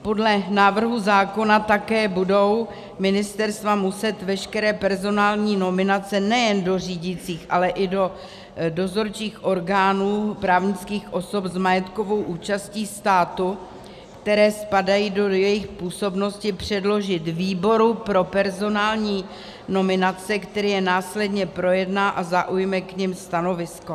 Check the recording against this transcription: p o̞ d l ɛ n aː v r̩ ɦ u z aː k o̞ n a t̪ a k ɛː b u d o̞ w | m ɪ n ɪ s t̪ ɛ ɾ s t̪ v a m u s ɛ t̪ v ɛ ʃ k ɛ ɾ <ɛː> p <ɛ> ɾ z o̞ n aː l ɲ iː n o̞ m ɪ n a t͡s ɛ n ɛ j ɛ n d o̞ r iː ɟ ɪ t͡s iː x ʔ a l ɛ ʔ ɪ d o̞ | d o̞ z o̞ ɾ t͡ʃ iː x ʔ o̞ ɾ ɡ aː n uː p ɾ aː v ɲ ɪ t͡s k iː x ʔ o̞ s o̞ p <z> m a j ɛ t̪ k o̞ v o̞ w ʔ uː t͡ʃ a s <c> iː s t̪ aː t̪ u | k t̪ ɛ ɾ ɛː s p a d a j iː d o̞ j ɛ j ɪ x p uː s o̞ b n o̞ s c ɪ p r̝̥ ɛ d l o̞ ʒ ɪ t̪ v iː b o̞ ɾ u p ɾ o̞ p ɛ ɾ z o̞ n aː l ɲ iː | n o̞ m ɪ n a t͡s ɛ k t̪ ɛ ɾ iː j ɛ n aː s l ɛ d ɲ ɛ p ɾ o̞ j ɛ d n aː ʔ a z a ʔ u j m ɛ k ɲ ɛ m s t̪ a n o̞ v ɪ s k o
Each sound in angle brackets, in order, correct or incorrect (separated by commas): correct, correct, correct, correct